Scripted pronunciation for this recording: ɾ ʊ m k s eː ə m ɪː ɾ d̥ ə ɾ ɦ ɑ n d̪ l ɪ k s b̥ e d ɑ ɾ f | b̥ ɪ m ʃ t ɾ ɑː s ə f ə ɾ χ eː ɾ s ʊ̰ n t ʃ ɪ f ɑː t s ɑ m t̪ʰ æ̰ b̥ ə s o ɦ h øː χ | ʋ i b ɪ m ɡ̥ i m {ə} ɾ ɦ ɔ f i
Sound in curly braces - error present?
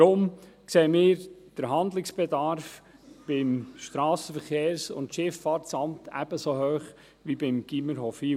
no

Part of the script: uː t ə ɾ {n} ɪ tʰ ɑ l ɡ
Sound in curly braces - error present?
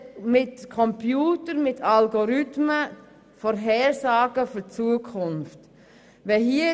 yes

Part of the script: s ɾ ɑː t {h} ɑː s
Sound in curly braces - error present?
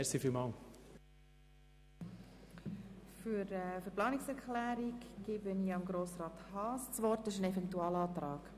no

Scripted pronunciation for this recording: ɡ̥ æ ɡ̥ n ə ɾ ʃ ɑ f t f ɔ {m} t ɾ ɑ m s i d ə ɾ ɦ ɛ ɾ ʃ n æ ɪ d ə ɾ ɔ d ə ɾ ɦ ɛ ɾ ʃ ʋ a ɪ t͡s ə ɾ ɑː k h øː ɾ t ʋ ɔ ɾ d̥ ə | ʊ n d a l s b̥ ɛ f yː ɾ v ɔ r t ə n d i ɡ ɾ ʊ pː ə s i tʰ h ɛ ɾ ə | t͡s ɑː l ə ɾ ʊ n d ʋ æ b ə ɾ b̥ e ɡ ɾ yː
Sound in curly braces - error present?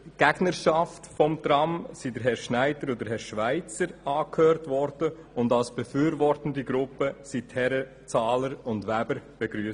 no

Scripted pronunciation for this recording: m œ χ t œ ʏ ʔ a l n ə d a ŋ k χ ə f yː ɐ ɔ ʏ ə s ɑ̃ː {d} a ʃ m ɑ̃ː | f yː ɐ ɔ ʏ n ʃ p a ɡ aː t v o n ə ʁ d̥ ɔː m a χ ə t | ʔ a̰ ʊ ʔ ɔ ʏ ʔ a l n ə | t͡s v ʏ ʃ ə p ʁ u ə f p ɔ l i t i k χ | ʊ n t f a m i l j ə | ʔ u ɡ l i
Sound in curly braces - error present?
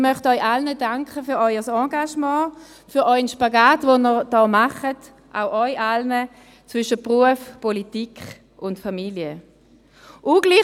yes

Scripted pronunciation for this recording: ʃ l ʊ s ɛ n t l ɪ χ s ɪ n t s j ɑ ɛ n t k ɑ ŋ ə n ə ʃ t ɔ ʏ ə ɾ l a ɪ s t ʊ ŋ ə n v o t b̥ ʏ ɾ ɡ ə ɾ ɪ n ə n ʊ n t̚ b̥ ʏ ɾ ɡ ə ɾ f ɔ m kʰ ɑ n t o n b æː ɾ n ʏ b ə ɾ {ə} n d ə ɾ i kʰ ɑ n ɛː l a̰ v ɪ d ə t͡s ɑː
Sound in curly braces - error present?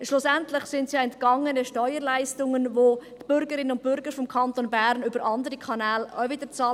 yes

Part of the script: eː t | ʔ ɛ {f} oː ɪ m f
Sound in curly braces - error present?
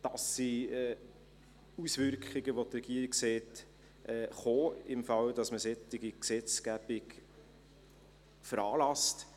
yes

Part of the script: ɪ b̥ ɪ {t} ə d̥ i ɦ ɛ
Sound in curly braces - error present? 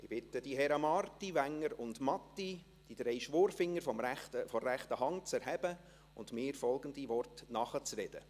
no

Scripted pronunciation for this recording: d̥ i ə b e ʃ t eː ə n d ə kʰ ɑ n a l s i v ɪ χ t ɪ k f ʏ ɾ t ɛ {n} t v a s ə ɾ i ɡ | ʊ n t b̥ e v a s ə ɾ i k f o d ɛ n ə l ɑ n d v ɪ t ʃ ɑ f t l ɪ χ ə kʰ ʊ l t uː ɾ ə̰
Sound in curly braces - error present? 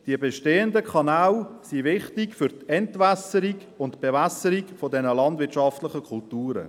no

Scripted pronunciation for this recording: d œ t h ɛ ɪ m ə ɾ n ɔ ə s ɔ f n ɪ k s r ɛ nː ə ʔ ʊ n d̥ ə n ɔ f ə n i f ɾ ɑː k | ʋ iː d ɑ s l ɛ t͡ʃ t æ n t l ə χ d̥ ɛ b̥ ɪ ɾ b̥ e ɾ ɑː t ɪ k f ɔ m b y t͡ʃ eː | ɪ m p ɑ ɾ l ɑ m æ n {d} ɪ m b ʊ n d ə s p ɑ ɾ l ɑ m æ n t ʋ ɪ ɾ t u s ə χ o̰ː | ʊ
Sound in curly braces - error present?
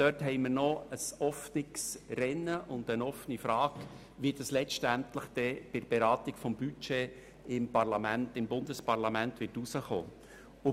yes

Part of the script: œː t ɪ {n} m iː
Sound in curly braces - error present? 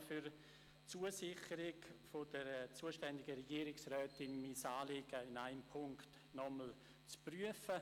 no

